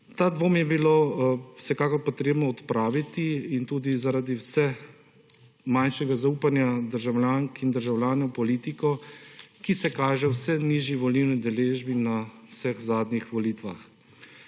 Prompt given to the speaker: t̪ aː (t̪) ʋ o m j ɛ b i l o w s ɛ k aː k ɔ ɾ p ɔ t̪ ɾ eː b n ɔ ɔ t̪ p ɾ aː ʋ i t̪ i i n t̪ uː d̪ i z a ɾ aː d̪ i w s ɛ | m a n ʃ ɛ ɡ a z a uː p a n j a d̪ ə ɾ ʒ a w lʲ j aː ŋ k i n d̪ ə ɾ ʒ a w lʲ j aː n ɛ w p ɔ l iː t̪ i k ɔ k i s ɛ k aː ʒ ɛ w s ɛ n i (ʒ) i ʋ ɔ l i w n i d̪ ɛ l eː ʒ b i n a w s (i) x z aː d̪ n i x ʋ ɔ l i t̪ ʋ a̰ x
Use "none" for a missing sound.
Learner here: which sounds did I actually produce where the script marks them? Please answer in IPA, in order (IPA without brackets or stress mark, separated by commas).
d̪, ʒ, ɛ